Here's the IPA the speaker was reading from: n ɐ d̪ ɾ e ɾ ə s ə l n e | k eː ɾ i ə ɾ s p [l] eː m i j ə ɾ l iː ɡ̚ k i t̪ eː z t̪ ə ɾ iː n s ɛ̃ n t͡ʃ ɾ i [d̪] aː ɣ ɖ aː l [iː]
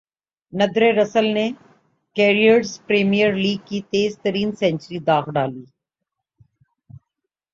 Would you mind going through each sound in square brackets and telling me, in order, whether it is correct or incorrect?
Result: incorrect: ɾ, correct, correct

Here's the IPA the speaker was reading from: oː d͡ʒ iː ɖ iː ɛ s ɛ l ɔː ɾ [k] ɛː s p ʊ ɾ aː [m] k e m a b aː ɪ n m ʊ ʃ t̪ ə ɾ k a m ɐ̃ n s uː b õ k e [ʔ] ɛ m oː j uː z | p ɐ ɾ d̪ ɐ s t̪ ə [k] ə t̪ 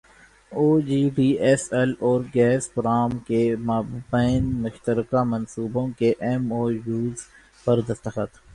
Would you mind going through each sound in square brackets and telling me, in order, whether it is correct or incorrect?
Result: incorrect: ɡ, correct, correct, incorrect: x

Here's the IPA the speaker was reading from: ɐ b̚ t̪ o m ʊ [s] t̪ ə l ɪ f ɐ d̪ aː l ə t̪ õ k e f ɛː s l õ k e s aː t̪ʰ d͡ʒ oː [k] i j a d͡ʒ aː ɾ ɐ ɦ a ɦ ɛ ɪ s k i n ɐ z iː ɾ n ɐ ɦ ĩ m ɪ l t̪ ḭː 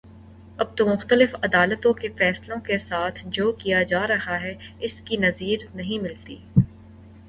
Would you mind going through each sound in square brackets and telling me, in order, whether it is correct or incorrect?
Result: incorrect: x, correct

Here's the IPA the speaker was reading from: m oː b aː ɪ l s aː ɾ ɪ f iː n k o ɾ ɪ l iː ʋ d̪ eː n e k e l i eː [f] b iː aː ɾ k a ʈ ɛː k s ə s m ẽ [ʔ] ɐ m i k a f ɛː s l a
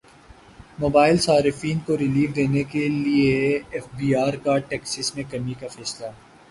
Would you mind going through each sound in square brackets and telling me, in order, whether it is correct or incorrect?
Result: correct, incorrect: k

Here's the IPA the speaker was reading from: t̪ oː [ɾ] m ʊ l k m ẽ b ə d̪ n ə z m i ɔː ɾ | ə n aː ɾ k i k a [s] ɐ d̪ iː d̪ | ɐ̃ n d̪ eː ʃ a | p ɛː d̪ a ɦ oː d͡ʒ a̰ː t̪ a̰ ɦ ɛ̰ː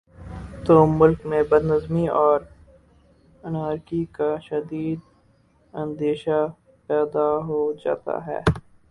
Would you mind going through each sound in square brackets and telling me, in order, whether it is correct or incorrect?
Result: incorrect: none, incorrect: ʃ

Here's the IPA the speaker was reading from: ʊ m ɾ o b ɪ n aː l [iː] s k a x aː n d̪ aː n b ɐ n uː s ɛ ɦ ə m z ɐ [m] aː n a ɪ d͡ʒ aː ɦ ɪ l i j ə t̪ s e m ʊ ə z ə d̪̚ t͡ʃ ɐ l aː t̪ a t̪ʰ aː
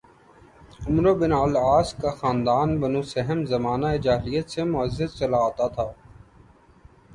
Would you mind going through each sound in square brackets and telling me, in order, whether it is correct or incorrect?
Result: incorrect: aː, correct

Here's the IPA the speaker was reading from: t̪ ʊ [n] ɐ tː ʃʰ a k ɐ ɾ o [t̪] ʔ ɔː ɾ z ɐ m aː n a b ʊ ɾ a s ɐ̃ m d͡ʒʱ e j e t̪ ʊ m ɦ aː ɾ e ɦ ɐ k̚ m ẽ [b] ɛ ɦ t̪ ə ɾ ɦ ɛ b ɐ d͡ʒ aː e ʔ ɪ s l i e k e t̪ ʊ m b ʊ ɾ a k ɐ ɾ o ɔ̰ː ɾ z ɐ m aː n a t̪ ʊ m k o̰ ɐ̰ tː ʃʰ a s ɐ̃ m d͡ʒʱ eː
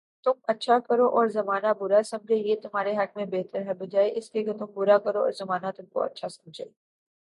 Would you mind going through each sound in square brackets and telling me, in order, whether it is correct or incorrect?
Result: incorrect: m, incorrect: none, correct

